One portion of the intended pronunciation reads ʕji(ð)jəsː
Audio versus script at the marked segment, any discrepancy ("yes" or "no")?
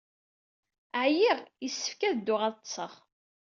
yes